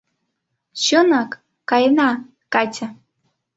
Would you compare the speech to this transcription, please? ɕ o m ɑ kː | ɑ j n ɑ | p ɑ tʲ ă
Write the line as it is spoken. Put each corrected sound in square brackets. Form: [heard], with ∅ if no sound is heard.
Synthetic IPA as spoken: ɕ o [n] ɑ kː | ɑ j n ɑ | [k] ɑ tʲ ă